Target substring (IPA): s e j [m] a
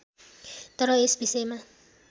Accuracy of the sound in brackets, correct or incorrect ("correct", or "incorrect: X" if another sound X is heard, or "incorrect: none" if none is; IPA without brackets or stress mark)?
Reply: correct